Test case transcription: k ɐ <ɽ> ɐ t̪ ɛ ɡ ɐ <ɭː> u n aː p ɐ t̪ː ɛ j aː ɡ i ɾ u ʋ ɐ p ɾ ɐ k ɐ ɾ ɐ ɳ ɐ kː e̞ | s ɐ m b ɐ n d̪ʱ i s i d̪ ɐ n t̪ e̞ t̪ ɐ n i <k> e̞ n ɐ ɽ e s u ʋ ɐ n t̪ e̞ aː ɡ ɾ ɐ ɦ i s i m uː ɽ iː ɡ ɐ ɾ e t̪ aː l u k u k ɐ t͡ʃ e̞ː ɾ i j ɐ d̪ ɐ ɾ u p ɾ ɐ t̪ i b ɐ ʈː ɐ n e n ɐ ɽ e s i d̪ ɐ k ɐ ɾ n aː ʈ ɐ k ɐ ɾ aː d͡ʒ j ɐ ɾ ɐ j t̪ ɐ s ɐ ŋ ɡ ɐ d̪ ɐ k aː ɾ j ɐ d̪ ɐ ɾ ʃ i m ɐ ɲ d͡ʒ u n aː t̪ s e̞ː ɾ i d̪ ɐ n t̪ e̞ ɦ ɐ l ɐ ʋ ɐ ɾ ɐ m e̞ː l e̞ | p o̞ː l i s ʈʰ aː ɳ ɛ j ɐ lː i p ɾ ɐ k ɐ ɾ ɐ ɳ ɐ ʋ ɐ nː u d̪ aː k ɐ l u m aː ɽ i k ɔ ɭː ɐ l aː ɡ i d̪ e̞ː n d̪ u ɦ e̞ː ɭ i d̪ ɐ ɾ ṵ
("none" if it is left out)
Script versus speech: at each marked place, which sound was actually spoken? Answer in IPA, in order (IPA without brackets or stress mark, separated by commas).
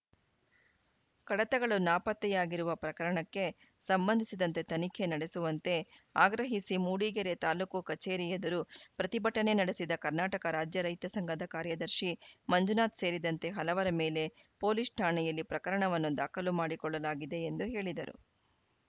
ɽ, ɭ, kʰ